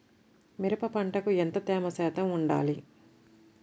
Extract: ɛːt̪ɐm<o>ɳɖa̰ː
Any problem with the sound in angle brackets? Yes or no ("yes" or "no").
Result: yes